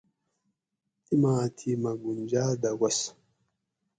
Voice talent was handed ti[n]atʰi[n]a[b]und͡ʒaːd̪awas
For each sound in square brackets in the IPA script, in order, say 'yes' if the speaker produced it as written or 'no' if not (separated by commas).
no, no, no